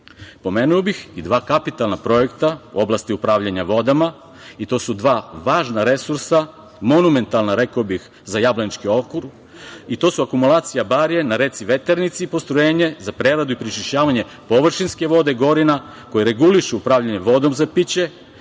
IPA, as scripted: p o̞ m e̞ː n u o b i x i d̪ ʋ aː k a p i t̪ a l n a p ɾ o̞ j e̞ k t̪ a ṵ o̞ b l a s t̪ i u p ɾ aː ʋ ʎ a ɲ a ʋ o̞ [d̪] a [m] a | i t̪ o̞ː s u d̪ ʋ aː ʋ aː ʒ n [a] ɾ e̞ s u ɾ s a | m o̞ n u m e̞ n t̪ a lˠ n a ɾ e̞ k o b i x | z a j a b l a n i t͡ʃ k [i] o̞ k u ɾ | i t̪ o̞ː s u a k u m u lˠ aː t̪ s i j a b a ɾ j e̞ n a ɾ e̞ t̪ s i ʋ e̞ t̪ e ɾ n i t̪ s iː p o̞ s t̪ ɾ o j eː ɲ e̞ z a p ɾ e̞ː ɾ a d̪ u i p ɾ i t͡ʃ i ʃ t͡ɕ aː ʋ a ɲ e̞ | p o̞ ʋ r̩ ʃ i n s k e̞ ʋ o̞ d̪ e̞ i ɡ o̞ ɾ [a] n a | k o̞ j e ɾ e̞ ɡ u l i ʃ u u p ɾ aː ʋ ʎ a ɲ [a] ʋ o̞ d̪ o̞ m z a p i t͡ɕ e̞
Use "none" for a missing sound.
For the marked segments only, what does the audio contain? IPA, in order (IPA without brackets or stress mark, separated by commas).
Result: d̪, m, a, i, i, e